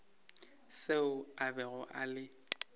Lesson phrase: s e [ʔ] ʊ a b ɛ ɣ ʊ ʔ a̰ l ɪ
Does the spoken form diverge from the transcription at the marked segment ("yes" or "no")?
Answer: yes